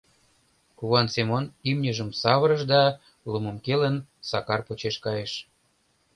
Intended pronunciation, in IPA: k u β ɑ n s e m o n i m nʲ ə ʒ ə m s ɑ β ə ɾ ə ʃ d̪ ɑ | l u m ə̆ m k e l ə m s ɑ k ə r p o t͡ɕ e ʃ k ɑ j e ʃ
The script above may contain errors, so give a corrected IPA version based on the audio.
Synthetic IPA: k u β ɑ n s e m o n i m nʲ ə ʒ ə m s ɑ β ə ɾ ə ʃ d̪ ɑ | l u m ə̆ m k e l ə n s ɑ k ɑ r p o t͡ɕ e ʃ k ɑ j e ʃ